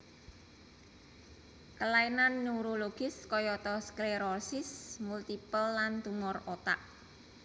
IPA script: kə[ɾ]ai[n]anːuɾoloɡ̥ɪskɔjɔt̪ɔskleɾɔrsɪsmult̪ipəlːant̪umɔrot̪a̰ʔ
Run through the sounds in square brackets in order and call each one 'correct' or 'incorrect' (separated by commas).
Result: incorrect, correct